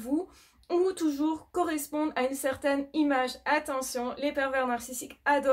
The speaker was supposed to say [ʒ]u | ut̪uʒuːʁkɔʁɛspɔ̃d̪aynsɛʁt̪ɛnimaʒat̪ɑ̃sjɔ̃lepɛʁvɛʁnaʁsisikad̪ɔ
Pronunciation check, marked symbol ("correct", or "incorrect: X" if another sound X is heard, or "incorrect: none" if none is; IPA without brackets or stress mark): incorrect: v